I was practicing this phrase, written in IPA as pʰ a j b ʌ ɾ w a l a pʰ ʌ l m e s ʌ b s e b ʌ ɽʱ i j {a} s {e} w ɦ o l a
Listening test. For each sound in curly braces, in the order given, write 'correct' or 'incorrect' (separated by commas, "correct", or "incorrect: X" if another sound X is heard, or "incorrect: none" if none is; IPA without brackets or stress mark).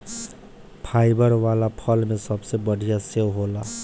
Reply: correct, correct